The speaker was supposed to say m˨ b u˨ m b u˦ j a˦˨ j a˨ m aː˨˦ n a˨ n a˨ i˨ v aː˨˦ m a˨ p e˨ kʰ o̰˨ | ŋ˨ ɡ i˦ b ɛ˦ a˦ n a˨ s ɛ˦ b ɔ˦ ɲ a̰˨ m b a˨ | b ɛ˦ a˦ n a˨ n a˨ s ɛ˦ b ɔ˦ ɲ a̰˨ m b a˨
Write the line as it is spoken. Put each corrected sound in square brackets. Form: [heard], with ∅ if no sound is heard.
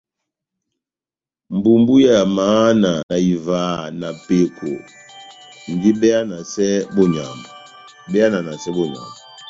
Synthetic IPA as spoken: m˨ b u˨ m b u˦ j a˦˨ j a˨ m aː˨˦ n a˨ n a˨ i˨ v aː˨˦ [n] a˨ p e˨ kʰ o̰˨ | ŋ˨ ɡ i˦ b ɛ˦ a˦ n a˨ s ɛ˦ b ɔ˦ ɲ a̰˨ m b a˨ | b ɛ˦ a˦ n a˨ n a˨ s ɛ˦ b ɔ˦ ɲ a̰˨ m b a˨